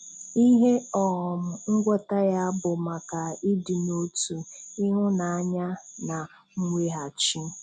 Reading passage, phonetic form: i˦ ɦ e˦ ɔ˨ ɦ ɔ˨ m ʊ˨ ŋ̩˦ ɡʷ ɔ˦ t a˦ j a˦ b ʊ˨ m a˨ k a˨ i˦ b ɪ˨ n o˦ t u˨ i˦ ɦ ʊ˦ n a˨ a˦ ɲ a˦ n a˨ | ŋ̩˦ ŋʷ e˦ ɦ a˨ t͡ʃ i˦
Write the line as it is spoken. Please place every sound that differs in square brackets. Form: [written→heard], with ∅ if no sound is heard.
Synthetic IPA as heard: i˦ ɦ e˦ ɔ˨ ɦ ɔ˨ m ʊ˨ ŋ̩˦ ɡʷ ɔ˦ t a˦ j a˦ b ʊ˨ m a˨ k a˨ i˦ [b→d] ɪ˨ n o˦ t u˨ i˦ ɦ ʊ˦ n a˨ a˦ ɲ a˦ n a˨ | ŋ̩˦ ŋʷ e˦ ɦ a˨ t͡ʃ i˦